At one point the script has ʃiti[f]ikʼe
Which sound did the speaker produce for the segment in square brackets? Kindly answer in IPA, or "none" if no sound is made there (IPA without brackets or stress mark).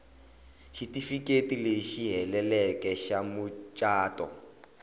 f